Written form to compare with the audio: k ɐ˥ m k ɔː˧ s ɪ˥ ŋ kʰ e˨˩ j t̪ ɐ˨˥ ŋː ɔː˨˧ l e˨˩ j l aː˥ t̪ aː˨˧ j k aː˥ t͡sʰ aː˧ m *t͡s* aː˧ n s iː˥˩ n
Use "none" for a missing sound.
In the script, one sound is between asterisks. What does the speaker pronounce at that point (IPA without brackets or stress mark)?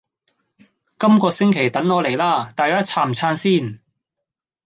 t͡sʰ